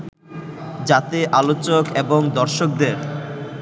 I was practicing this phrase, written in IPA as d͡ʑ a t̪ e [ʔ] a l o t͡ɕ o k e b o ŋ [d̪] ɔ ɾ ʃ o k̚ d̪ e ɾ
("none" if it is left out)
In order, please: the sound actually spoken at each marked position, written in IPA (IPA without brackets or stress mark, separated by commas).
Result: ʔ, d̪